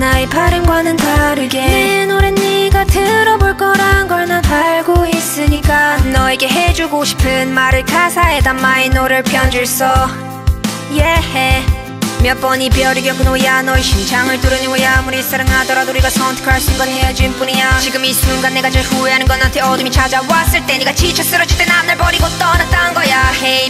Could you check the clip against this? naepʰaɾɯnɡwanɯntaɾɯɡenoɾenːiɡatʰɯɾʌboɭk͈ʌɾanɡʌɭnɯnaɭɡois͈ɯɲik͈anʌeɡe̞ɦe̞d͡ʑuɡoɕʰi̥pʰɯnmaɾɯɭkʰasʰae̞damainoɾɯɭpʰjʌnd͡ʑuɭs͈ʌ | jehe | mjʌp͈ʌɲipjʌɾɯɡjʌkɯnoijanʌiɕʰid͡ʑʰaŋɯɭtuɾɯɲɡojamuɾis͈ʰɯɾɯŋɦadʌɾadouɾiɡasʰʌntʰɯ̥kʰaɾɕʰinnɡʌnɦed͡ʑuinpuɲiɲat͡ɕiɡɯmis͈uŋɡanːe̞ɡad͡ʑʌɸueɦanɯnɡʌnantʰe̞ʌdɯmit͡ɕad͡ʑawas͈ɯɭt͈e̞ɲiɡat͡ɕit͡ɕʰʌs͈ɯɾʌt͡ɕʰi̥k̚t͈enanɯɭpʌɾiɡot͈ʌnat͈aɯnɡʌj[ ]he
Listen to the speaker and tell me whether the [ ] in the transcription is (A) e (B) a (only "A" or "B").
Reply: B